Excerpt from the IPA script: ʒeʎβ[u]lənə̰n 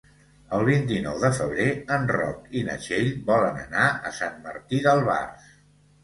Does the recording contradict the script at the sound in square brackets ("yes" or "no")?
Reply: yes